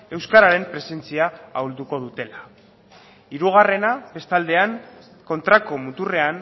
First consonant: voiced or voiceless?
voiced